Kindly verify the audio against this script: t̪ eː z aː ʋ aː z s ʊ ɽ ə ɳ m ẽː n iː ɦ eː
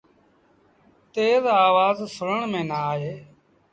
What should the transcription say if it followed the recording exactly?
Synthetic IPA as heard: t̪ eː z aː ʋ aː z s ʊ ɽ ə ɳ m ẽː n aː ɦ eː